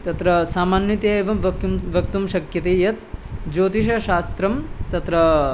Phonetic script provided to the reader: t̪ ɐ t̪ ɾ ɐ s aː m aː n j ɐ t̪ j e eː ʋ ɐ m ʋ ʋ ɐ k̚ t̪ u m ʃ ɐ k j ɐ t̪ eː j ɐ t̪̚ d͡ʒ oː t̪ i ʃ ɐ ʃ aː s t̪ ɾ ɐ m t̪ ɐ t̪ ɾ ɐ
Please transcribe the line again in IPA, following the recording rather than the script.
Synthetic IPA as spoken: t̪ ɐ t̪ ɾ ɐ s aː m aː n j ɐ t̪ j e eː ʋ ɐ m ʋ ʋ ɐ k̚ t̪ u m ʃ ɐ k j ɐ t̪ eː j ɐ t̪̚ d͡ʒ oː t̪ i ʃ ɐ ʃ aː s t̪ ɾ ɐ m t̪ ɐ t̪ ɾ ɐ